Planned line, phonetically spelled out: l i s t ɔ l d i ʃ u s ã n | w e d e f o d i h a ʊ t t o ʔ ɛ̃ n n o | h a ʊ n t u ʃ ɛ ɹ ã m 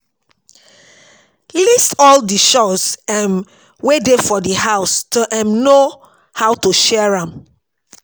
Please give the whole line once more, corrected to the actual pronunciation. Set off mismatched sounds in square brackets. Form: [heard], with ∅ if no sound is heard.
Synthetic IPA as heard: l i s t ɔ l d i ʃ [ɔ] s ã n | w e d e f [ɔ] d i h a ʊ [s] t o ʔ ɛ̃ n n o | h a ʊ [∅] t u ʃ ɛ ɹ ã m